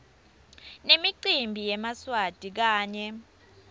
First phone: n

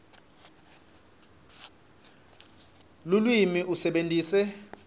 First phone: l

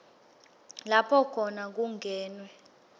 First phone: l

